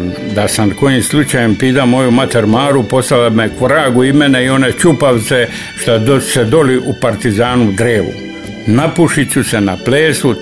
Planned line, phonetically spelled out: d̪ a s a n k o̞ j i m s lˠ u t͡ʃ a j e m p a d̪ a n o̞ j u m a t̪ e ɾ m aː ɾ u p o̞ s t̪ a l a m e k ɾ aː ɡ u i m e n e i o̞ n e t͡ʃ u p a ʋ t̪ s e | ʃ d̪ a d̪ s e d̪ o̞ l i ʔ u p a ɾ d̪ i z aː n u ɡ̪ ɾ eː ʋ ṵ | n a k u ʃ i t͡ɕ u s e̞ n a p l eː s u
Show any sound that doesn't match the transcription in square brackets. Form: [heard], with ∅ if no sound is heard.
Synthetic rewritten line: d̪ a s a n k o̞ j i m s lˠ u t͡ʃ a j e m p [i] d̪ a [m] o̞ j u m a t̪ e ɾ m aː ɾ u p o̞ s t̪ a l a m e k ɾ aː ɡ u i m e n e i o̞ n e t͡ʃ u p a ʋ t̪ s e | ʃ [t̪] a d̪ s e d̪ o̞ l i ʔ u p a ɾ [t̪] i z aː n u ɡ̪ ɾ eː ʋ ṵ | n a [p] u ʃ i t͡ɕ u s e̞ n a p l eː s u